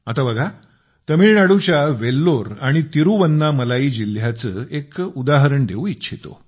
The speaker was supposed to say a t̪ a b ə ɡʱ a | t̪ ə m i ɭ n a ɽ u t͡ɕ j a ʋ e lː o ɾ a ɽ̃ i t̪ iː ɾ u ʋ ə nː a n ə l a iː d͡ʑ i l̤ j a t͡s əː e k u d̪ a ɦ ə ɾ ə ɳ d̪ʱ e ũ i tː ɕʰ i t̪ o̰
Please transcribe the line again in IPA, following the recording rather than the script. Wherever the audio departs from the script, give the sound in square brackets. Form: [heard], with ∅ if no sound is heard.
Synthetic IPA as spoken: a t̪ a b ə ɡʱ a | t̪ ə m i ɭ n a ɽ u t͡ɕ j a ʋ e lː o ɾ a ɽ̃ i t̪ [i] ɾ u ʋ ə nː a [m] ə l a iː d͡ʑ i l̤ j a t͡s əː e k u d̪ a ɦ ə ɾ ə ɳ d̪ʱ e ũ i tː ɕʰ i t̪ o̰